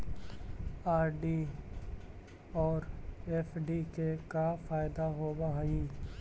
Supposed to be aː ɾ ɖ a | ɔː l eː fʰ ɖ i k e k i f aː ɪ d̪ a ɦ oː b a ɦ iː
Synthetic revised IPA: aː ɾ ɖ i | ɔː ɾ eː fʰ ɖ i k e k a f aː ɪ d̪ a ɦ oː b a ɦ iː